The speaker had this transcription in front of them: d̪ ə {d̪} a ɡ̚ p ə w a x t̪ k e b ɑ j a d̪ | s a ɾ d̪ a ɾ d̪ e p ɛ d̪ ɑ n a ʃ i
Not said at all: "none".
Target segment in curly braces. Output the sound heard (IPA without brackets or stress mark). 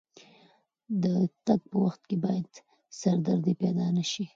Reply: t̪